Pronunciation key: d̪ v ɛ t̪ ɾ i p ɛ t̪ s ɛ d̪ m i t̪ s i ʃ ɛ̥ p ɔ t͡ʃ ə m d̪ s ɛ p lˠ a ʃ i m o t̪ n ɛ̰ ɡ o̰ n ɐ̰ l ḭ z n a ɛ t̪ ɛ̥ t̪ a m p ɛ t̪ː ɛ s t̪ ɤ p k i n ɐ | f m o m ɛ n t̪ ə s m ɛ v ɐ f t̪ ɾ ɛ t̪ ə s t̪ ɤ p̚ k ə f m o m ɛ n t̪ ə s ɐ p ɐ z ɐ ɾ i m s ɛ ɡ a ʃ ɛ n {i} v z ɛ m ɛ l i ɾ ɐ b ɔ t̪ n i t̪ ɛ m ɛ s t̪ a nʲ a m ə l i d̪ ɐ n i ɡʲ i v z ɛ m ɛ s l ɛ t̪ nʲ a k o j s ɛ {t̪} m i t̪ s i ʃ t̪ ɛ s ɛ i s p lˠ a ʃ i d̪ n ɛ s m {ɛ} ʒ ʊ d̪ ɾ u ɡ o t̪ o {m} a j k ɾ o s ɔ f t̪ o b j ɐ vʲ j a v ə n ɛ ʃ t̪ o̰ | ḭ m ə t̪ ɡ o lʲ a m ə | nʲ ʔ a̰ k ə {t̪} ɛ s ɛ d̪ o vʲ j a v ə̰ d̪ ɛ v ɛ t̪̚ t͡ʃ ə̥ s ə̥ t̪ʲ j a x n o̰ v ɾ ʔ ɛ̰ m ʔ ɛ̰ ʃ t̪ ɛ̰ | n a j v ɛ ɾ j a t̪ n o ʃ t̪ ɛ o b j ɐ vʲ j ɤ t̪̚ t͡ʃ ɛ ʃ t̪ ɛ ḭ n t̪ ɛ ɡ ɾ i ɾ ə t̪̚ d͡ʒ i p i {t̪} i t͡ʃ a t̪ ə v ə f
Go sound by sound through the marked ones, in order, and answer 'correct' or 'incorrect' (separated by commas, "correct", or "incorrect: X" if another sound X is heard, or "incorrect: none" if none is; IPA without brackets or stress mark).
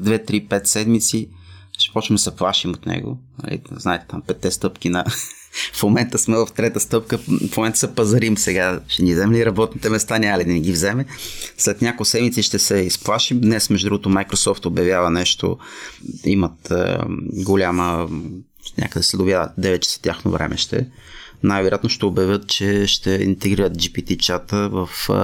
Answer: correct, incorrect: d̪, correct, correct, incorrect: d̪, correct